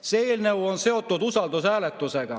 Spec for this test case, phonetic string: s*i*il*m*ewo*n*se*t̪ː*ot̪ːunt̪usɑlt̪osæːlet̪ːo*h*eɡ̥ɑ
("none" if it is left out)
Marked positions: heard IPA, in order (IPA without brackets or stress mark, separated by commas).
e, n, n, none, s